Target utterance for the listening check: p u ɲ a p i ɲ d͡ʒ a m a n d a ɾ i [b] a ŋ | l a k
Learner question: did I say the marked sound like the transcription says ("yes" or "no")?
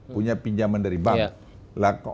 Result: yes